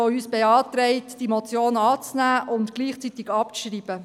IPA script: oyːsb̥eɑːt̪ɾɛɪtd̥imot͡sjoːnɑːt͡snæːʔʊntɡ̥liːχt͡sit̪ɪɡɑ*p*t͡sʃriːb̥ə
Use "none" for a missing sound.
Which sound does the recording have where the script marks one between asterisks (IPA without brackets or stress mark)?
p